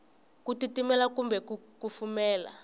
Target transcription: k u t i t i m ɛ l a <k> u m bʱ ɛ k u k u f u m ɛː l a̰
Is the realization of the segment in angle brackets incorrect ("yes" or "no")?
no